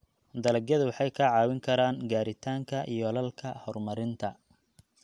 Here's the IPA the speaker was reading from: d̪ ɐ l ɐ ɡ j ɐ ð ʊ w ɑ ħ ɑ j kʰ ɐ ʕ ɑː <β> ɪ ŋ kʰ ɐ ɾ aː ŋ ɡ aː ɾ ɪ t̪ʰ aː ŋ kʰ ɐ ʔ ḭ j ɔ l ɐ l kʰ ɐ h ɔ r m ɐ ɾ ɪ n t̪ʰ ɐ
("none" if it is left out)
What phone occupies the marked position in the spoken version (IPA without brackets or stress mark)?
w